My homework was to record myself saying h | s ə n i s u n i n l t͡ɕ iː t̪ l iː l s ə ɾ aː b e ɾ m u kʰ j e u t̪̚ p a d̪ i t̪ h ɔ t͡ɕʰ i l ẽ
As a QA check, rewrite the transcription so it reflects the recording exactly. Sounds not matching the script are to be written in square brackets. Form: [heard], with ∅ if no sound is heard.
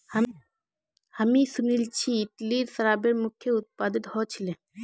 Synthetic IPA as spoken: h | [h] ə [m] i s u n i [∅] l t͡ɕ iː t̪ l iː [ɾ] s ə ɾ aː b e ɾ m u kʰ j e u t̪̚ p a d̪ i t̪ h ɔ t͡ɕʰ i l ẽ